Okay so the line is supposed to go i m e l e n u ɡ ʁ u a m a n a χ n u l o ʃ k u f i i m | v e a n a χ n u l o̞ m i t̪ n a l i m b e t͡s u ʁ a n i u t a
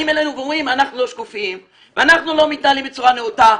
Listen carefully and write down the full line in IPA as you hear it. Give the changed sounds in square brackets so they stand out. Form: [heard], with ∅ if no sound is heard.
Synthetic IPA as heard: i m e l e n u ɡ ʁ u [i] m a n a χ n u l o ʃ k u f i i m | v e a n a χ n u l o̞ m i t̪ n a l i m b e t͡s u ʁ a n [e] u t a